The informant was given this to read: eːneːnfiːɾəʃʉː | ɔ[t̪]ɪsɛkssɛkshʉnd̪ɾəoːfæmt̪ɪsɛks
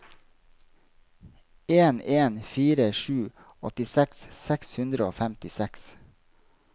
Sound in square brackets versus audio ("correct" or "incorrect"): correct